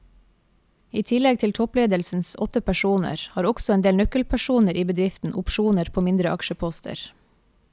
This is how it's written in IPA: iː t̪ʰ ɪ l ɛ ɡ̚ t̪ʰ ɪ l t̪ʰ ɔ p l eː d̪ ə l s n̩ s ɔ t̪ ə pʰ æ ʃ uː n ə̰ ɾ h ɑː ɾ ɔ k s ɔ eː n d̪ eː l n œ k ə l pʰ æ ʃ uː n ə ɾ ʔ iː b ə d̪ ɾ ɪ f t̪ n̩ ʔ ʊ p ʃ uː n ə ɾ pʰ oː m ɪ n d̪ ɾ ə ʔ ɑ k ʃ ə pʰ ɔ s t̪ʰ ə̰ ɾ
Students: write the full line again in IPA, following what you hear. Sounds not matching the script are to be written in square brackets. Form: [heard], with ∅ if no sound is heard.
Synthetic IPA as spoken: iː t̪ʰ ɪ l ɛ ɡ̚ t̪ʰ ɪ l t̪ʰ ɔ p l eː d̪ ə l s n̩ s ɔ t̪ ə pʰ æ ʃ uː n ə̰ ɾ h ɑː ɾ ɔ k s ɔ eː n d̪ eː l n œ k ə l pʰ æ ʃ uː n ə ɾ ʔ iː b ə d̪ ɾ ɪ f t̪ n̩ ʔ ʊ p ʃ uː n ə ɾ pʰ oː m ɪ n d̪ ɾ ə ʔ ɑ k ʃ ə pʰ ɔ s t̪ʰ ə̰ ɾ